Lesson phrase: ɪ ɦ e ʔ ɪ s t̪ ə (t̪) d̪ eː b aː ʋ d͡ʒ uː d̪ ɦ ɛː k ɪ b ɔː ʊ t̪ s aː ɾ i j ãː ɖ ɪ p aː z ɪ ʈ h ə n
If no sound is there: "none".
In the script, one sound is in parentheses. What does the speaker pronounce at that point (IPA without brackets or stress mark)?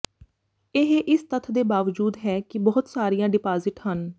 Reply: t̪ʰ